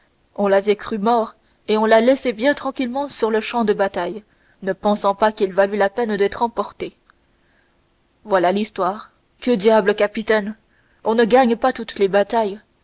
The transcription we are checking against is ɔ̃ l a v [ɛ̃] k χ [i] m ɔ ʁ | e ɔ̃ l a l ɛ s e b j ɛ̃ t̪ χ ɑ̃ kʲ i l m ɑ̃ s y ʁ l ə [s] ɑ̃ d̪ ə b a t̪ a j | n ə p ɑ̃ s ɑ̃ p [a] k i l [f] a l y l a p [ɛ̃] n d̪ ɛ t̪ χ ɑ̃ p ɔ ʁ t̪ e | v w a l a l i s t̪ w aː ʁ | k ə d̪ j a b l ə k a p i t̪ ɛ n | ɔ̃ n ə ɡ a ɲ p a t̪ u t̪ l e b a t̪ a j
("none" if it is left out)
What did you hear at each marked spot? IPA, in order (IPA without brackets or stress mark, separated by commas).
ɛ, y, ʃ, a, v, ɛ